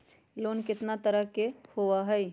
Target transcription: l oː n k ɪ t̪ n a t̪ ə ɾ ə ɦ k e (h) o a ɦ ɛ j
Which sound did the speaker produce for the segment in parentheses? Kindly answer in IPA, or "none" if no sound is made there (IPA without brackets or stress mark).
h